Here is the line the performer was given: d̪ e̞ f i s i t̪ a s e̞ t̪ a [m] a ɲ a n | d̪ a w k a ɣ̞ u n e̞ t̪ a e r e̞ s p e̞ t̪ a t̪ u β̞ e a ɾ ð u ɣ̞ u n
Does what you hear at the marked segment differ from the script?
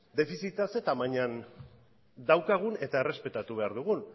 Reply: no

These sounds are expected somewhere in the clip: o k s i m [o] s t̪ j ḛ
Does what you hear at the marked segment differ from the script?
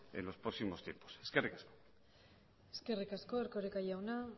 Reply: no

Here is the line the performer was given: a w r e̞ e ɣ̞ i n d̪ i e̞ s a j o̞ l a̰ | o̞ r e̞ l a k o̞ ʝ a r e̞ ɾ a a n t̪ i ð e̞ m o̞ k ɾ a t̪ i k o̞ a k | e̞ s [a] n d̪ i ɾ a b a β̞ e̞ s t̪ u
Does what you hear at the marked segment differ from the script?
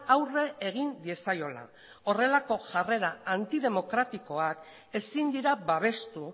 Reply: yes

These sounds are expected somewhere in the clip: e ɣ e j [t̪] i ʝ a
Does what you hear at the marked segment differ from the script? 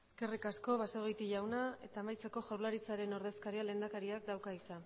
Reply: no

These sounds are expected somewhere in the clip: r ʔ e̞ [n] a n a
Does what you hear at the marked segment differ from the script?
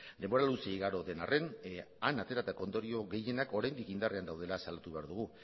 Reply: no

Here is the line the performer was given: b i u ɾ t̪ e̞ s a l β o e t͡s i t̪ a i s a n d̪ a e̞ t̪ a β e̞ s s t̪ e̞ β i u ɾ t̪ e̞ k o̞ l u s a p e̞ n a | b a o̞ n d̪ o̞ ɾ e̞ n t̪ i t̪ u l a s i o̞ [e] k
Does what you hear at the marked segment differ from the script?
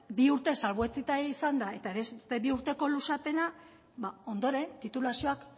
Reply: yes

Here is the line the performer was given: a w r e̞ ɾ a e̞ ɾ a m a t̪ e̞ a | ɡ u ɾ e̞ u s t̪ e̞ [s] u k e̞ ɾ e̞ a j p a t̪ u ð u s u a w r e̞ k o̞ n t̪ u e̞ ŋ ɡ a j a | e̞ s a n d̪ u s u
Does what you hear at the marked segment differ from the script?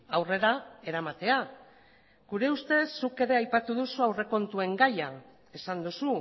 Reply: yes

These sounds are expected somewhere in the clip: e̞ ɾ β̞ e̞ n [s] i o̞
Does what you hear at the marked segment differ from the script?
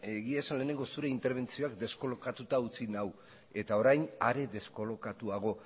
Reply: yes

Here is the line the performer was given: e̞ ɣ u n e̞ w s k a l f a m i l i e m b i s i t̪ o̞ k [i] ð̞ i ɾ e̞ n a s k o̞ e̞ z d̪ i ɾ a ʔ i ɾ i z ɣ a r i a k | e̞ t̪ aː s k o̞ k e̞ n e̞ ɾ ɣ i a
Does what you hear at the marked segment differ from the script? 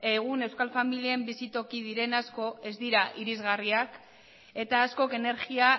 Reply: no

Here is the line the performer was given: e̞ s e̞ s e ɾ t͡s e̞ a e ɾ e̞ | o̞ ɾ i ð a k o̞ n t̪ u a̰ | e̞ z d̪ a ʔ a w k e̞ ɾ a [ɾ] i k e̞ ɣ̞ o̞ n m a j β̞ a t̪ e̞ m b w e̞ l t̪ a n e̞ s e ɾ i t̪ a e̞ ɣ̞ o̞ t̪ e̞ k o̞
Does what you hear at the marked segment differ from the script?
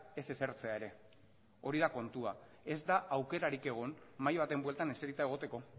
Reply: no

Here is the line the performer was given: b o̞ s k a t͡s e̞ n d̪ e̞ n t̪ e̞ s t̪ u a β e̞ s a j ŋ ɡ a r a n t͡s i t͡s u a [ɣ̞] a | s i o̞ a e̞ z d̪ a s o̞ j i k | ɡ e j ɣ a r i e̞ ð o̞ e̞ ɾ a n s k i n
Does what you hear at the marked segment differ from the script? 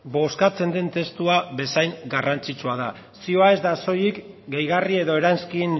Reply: yes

